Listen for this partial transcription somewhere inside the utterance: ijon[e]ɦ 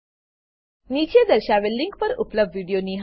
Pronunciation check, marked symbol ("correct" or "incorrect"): incorrect